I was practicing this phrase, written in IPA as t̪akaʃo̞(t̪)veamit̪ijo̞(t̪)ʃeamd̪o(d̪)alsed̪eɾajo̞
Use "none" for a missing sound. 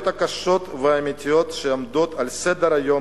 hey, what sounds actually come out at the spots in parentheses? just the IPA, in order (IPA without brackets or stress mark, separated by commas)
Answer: t̪, t̪, t̪